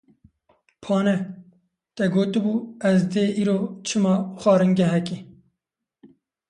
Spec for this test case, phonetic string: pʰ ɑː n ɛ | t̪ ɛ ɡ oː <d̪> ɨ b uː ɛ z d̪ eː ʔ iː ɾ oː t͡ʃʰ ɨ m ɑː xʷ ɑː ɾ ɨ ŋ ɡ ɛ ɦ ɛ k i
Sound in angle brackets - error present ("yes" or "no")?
yes